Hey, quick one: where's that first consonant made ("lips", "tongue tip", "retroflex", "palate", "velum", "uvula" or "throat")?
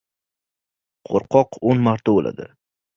uvula